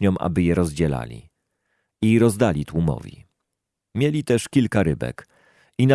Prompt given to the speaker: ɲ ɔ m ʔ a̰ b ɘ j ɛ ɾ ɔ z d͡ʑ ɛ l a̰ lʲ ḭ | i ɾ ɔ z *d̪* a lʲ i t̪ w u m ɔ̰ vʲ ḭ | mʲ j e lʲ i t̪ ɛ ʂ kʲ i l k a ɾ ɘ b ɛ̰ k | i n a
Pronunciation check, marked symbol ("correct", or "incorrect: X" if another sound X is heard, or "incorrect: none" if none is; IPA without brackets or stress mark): correct